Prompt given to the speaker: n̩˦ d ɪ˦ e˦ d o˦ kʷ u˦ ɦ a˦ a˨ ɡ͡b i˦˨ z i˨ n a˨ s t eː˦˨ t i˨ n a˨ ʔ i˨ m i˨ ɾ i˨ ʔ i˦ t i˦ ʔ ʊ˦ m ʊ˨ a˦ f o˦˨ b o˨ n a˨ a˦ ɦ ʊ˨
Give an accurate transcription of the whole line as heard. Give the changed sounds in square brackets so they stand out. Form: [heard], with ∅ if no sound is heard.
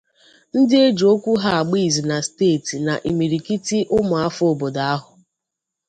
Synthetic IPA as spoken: n̩˦ d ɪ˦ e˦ [d͡ʒ] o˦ kʷ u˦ ɦ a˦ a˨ ɡ͡b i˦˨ z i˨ n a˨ s t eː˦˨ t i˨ n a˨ ʔ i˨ m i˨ ɾ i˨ [k] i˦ t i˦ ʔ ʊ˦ m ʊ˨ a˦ f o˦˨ b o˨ [d] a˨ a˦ ɦ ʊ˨